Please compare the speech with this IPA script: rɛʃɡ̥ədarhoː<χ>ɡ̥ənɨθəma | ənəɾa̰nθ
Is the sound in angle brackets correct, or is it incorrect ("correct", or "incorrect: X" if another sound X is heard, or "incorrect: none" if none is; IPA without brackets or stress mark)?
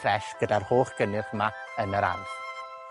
correct